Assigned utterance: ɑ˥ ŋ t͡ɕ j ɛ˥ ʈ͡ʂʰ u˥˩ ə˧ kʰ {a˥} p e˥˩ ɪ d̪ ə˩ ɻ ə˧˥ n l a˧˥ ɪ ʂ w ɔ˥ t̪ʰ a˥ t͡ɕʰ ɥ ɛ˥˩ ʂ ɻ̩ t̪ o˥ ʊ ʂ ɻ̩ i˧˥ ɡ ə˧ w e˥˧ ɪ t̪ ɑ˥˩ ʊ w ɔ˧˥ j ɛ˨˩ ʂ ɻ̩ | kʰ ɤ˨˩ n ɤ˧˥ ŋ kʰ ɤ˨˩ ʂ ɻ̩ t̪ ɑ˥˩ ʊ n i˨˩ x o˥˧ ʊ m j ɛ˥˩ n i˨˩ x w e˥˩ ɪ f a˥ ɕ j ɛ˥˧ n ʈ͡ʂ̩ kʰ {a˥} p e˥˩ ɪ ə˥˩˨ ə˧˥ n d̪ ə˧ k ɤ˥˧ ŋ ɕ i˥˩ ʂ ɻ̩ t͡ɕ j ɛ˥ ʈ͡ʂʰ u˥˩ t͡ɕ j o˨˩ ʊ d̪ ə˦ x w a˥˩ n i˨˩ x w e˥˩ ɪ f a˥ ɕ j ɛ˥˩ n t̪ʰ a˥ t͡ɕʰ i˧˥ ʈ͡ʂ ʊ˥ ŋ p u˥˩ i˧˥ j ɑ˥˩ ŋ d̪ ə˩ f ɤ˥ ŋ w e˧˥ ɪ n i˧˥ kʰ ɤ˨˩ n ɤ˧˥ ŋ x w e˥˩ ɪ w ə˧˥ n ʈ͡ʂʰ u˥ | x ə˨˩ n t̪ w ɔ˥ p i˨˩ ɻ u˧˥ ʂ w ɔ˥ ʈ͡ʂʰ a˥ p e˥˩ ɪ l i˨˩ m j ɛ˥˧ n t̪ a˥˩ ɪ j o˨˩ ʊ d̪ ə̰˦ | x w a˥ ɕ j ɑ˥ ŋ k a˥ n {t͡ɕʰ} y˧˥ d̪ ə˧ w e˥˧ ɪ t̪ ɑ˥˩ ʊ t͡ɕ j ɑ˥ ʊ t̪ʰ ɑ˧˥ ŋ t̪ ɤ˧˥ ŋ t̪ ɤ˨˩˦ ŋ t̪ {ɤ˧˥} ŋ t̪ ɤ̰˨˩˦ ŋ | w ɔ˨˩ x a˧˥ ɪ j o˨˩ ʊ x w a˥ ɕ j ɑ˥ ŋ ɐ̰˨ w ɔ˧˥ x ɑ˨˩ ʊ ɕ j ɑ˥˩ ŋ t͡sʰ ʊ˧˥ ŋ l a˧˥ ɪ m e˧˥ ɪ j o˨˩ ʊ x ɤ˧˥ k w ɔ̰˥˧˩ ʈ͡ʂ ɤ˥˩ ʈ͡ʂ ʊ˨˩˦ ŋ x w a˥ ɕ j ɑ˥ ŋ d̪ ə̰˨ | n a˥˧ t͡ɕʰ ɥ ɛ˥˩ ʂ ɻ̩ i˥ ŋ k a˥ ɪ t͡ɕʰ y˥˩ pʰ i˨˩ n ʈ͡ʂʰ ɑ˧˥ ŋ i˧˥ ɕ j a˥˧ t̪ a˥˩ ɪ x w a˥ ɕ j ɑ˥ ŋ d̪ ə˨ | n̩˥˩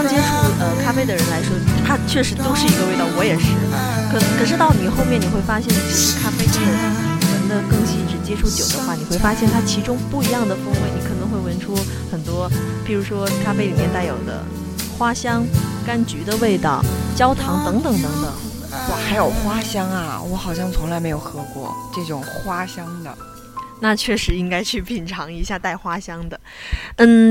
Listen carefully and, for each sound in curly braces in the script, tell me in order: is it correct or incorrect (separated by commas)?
correct, correct, incorrect, correct